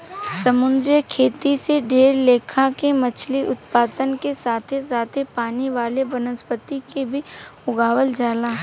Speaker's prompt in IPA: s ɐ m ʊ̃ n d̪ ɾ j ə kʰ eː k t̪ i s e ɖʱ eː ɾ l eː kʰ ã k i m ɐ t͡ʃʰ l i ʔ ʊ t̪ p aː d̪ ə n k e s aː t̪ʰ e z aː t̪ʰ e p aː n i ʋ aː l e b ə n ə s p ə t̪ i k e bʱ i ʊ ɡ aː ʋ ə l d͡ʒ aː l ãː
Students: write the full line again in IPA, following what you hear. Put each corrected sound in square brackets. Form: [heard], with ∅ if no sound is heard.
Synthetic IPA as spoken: s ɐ m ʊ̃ n d̪ ɾ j ə kʰ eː [∅] t̪ i s e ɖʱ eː ɾ l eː kʰ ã k [e] m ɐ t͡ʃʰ l i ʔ ʊ t̪ p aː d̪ ə n k e s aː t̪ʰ e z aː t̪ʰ e p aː n i ʋ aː l e b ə n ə s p ə t̪ i k e bʱ i ʊ ɡ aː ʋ ə l d͡ʒ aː l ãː